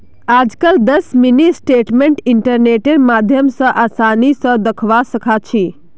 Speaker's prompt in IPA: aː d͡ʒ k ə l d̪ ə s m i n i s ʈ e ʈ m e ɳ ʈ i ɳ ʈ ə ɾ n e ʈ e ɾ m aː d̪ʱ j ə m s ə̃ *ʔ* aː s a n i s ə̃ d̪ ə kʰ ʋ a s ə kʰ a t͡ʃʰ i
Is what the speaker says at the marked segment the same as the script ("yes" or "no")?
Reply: yes